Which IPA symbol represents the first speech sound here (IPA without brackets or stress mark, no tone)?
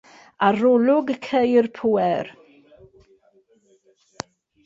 a